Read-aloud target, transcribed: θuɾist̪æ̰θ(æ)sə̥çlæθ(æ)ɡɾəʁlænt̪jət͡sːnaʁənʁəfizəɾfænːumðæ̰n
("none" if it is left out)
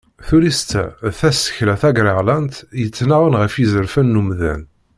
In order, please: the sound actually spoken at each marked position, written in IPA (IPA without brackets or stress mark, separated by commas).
æ, æ